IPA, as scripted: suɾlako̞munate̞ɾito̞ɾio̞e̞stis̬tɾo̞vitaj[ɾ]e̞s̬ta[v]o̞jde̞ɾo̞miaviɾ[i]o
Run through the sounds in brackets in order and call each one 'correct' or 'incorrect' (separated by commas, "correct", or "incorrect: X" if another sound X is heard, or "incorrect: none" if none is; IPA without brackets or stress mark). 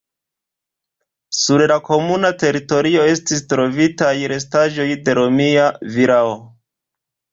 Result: correct, incorrect: ʒ, incorrect: a